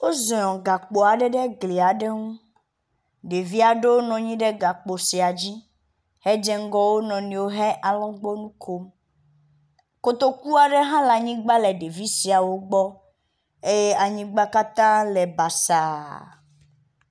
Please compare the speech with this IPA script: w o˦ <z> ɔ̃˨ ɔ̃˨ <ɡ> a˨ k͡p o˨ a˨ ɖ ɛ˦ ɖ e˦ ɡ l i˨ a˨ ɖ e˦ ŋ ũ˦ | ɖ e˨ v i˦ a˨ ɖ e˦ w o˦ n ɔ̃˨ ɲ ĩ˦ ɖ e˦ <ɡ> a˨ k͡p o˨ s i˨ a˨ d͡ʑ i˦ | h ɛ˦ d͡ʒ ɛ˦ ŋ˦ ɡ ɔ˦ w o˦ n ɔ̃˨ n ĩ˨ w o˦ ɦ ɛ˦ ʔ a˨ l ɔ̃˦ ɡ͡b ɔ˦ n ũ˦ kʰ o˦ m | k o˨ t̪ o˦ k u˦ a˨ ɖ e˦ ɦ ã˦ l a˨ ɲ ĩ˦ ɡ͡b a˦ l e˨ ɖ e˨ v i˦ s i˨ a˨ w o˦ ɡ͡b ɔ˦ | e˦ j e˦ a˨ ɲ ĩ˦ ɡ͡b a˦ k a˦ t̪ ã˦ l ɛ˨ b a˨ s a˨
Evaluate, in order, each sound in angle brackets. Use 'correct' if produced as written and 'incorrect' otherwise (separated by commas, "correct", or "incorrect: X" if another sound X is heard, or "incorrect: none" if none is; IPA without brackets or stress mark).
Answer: correct, correct, correct